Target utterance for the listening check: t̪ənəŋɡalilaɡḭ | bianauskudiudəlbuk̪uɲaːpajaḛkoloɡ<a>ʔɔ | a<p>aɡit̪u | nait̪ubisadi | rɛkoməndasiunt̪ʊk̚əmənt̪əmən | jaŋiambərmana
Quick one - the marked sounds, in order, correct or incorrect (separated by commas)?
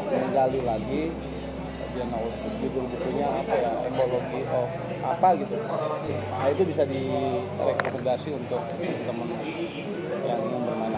incorrect, correct